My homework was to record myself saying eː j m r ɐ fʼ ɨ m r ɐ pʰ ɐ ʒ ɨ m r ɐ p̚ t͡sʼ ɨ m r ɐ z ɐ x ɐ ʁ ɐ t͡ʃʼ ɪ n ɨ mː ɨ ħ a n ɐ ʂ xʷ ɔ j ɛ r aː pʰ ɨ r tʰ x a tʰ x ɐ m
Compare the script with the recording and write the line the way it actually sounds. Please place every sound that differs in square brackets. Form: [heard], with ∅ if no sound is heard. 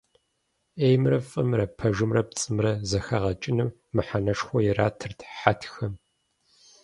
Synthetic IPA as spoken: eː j m r ɐ fʼ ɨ m r ɐ pʰ ɐ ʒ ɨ m r ɐ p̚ t͡sʼ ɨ m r ɐ z ɐ x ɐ ʁ ɐ t͡ʃʼ ɪ n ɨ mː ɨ ħ a n ɐ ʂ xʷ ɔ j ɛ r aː [tʰ] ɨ r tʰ [ħ] a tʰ x ɐ m